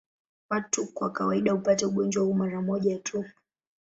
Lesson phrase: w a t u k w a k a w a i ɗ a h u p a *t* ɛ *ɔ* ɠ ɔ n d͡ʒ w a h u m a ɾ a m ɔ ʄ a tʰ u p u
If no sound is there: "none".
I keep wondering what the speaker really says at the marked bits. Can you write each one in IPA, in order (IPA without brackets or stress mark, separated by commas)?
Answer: t, u